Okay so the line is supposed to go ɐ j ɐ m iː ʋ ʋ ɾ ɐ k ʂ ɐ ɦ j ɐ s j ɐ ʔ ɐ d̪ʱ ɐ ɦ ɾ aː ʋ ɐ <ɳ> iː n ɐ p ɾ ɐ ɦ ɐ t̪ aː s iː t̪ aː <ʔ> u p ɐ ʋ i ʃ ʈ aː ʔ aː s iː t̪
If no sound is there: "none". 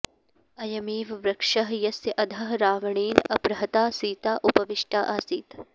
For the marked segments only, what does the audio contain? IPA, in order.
ɳ, ʔ

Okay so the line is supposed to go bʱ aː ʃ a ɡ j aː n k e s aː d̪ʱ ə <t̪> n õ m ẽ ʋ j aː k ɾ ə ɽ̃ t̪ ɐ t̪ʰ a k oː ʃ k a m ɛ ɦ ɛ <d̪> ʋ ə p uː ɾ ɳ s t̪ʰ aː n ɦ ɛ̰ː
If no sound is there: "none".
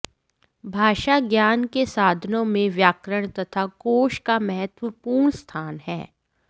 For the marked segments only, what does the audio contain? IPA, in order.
none, t̪

